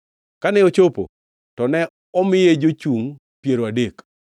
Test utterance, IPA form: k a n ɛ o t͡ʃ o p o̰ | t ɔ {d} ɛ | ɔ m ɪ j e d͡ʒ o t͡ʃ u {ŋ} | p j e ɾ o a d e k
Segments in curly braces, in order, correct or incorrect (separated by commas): incorrect, correct